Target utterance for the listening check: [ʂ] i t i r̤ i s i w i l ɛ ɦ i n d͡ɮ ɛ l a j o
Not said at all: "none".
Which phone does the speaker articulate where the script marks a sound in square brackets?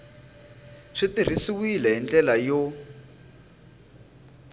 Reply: ʂ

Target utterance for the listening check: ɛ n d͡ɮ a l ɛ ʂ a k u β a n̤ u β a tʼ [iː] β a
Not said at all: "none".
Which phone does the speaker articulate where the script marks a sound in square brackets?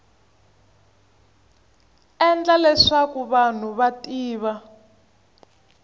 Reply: iː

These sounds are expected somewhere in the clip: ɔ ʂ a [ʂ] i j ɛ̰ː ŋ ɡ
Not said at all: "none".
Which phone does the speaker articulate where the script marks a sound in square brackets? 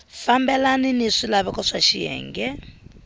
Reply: ʃ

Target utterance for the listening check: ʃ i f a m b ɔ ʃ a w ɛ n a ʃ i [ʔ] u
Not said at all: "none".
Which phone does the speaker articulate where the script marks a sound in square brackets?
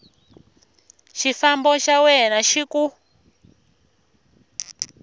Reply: k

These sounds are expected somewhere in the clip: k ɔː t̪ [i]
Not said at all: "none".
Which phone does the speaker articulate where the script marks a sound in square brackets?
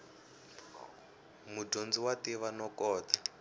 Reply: a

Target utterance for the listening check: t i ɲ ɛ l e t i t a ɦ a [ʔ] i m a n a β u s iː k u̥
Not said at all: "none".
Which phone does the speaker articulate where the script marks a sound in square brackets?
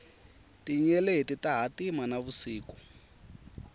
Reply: t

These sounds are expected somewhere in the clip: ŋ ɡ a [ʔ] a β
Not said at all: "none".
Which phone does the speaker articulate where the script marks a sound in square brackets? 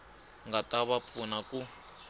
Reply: t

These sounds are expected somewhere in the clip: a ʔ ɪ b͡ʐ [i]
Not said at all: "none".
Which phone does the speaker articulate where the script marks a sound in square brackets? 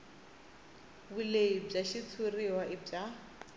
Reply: a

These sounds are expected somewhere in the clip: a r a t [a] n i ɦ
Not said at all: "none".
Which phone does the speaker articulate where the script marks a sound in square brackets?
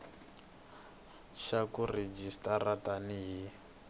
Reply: a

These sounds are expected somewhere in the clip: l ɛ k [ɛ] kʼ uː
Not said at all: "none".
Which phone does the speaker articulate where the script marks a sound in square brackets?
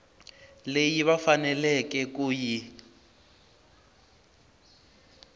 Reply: ɛ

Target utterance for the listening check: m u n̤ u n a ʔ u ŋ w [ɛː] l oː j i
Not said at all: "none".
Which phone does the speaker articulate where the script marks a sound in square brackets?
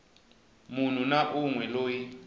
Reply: ɛ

